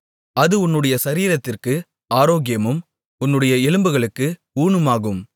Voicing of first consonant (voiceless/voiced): voiced